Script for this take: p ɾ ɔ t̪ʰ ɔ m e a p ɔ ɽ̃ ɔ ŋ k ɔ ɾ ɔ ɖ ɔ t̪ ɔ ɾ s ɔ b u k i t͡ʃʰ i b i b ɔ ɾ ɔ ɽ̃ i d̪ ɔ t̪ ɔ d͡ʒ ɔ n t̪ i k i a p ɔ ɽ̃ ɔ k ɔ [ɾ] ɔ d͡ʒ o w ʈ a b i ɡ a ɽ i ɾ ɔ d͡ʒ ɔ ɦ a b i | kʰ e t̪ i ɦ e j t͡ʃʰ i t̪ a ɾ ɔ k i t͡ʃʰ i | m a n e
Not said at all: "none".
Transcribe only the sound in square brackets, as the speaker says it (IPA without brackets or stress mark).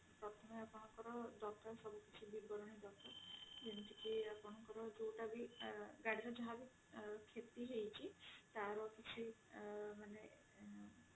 ɾ